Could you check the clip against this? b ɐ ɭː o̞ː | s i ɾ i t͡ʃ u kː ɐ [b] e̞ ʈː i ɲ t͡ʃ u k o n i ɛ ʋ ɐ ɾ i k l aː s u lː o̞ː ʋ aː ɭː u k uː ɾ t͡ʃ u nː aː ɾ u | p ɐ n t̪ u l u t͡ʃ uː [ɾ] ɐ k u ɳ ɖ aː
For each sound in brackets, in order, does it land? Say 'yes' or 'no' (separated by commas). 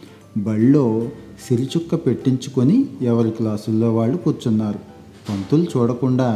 no, no